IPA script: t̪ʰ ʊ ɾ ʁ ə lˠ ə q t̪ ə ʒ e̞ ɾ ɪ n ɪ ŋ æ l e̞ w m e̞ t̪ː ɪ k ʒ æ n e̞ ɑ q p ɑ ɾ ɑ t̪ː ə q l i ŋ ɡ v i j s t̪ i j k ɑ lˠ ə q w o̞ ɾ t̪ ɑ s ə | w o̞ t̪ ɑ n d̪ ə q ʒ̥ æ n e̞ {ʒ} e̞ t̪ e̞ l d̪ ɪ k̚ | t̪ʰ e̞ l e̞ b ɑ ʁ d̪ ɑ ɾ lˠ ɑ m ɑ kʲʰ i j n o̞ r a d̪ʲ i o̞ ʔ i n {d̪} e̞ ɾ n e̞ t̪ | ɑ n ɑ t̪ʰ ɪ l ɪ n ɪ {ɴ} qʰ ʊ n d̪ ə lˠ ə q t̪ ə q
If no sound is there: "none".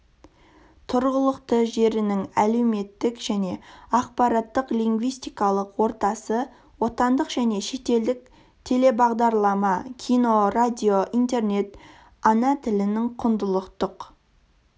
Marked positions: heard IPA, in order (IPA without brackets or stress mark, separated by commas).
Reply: ʃ, t̪, ŋ